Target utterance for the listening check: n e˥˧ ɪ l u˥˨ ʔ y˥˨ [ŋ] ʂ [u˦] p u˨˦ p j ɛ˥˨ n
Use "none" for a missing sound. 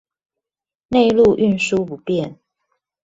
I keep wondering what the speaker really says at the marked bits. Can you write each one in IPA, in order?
n, u˦

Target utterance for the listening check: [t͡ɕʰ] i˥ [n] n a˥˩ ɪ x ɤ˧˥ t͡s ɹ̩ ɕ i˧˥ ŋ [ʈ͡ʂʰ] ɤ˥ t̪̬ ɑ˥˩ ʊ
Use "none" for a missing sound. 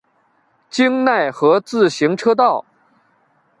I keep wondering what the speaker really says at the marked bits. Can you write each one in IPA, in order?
t͡ɕ, ŋ, ʈ͡ʂʰ

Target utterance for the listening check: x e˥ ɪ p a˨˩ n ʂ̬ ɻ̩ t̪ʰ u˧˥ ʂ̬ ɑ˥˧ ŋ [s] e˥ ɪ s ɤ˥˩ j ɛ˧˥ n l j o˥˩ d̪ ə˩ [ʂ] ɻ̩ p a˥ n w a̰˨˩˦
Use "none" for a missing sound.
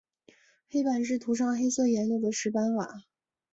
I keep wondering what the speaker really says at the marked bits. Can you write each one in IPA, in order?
x, ʂ

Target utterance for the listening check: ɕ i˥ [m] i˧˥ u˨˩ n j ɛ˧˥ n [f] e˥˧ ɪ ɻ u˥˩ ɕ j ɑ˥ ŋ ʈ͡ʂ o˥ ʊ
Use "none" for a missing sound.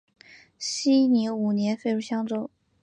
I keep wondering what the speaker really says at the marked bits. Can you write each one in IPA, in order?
n, f

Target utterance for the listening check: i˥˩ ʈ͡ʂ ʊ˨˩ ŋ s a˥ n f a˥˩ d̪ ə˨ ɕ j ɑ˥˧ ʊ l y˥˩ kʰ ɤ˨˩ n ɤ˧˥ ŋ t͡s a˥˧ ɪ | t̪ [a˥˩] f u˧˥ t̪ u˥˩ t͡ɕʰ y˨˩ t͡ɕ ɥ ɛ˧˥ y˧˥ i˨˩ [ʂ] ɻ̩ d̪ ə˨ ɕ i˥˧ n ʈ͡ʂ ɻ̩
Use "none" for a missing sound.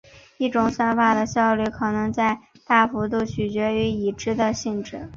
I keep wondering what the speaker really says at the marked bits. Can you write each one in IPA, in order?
a˥˩, ʈ͡ʂ

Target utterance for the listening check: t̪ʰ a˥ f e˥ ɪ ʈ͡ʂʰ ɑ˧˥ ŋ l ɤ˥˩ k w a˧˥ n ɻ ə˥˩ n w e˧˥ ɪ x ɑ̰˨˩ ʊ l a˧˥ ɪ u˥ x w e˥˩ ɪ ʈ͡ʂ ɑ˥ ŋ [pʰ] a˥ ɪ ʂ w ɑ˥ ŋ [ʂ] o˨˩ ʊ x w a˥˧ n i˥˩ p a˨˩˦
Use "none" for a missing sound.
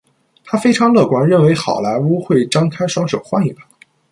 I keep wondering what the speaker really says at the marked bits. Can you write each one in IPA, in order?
kʰ, ʂ

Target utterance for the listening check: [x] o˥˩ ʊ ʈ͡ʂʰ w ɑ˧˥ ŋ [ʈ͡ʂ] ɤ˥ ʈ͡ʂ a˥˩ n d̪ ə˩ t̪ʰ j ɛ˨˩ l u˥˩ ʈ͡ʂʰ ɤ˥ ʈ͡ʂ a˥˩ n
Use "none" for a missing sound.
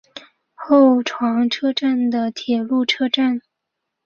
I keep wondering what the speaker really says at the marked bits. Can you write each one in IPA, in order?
x, ʈ͡ʂʰ

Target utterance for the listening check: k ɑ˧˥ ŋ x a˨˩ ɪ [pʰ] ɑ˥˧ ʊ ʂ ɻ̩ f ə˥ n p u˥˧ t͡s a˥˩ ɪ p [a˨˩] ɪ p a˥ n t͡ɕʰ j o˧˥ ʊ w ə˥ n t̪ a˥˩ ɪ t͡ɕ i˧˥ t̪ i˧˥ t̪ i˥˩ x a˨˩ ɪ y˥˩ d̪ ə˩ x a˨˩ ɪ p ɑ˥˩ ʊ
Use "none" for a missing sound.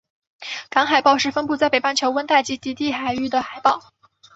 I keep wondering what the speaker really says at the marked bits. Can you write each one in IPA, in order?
p, e˨˩

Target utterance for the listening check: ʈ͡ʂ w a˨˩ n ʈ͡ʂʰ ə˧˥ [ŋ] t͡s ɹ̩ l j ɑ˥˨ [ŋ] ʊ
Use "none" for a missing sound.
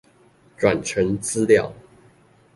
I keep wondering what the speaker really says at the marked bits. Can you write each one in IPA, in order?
ŋ, none

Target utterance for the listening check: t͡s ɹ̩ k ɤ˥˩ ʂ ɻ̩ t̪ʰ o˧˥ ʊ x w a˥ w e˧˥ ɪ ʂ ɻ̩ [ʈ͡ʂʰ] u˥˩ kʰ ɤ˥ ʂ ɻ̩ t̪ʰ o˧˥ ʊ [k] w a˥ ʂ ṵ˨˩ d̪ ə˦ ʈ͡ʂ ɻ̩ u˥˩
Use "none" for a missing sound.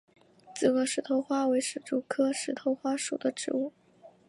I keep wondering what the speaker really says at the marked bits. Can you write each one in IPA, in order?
ʈ͡ʂ, x

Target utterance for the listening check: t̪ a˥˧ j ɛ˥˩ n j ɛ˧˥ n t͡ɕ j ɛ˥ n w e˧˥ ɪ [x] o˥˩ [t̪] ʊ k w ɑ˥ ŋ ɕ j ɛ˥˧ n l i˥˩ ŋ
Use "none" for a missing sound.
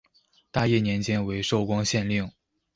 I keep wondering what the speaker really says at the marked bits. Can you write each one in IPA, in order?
ʂ, none

